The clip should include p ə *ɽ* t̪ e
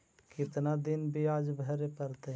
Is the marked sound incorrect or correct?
incorrect